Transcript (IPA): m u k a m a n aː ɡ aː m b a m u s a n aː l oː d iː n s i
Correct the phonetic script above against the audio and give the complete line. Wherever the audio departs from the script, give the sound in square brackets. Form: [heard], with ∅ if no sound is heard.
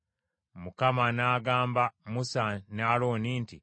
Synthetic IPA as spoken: m u k a m a n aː ɡ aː m b a m u s a n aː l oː [n] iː n [t] i